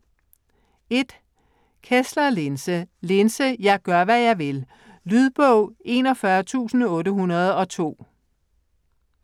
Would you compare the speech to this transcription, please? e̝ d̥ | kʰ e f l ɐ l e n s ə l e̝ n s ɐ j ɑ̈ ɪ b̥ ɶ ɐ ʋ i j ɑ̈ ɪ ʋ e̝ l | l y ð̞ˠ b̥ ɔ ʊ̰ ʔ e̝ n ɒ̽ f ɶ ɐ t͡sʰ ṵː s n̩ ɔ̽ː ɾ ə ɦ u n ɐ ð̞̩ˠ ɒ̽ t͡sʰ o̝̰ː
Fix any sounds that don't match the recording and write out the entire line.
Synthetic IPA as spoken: e̝ d̥ | kʰ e s l ɐ l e n s ə l e̝ n s ə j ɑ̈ ɪ ɡ̥ ɶ ɐ ʋ æ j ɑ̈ ɪ ʋ e̝ l | l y ð̞ˠ b̥ ɔ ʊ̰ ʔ e̝ n ɒ̽ f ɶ ɐ t͡sʰ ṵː s n̩ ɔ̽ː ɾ ə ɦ u n ɐ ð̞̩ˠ ɒ̽ t͡sʰ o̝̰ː

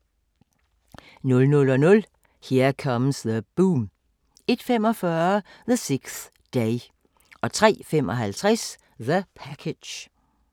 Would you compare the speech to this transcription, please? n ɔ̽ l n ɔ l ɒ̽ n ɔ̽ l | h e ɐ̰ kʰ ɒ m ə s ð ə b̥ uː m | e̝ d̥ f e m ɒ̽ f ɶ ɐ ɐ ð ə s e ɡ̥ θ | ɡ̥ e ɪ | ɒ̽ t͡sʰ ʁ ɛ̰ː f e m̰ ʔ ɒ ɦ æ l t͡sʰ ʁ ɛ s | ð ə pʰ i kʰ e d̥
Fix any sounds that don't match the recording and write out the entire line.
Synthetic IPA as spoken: n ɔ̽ l n ɔ l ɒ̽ n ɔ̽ l | h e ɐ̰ kʰ ɒ m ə s ð ə b̥ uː m | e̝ d̥ f e m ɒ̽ f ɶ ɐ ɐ ð ə s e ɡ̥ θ | d̥ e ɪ | ɒ̽ t͡sʰ ʁ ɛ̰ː f e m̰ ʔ ɒ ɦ æ l t͡sʰ ʁ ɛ s | ð ə pʰ æ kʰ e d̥

